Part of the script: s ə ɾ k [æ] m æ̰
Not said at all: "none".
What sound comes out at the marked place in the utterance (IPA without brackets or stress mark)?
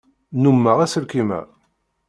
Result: i